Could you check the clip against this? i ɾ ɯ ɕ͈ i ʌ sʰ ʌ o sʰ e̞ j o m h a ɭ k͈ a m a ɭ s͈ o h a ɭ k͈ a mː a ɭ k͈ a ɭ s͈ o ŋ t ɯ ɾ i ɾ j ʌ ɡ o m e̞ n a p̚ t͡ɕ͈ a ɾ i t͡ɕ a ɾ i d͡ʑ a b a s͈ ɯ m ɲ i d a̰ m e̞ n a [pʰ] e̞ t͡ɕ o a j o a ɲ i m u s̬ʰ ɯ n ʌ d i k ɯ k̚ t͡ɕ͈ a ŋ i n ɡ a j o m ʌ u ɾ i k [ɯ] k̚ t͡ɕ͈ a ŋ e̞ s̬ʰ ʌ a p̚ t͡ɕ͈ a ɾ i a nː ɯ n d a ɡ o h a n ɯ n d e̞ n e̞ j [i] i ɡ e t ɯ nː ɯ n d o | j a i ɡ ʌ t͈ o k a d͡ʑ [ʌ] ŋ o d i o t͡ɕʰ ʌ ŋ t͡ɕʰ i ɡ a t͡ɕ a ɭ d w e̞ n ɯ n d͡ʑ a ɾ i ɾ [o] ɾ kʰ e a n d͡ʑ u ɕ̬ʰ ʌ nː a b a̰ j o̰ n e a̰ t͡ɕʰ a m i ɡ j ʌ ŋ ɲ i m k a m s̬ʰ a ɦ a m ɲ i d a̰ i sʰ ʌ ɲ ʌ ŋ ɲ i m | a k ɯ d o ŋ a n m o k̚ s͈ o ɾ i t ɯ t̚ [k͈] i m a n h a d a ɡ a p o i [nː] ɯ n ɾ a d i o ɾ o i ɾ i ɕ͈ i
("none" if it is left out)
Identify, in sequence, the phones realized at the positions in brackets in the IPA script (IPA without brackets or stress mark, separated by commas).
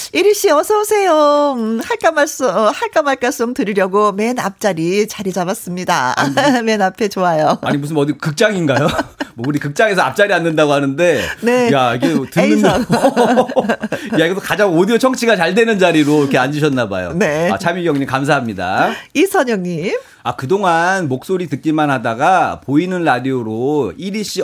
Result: pʰ, ɯ, a, a, o, k͈, n